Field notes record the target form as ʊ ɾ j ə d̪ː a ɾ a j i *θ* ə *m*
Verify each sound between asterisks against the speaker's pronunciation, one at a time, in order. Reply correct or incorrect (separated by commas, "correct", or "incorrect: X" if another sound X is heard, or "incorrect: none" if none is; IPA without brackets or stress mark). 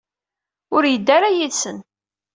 incorrect: s, incorrect: n